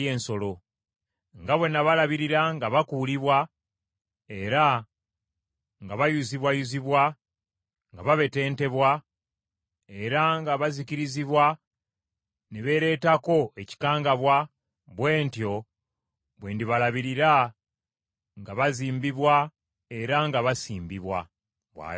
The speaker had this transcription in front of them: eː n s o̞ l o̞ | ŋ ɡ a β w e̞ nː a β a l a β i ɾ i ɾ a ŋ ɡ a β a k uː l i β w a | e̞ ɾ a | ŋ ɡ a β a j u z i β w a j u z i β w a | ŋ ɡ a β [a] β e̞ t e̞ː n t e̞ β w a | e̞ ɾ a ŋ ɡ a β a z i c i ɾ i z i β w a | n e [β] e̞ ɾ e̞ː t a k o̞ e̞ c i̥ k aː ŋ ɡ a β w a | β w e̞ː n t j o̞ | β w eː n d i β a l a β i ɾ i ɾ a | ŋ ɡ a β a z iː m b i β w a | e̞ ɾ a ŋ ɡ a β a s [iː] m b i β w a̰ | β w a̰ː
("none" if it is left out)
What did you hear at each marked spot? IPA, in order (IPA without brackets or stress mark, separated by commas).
a, β, iː